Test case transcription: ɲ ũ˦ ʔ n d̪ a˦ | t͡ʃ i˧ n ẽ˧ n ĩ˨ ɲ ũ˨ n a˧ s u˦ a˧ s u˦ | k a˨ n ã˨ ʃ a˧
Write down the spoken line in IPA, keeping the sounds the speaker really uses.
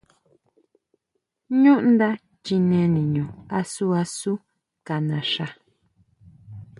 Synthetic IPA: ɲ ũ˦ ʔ n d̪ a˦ | t͡ʃ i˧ n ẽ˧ n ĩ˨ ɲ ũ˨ a˧ s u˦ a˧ s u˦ | k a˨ n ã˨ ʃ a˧